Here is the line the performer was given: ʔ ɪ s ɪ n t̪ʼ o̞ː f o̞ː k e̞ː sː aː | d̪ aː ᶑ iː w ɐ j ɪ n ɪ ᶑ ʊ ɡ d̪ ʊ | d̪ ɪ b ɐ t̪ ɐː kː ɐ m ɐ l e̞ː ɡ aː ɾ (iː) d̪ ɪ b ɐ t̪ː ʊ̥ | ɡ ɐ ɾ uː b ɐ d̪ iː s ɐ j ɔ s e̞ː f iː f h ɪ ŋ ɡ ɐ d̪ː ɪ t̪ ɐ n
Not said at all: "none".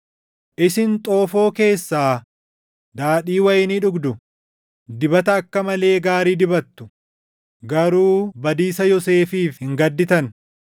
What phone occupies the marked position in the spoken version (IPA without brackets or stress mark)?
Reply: iː